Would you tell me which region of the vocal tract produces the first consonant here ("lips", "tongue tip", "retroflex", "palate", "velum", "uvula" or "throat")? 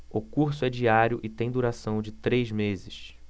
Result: velum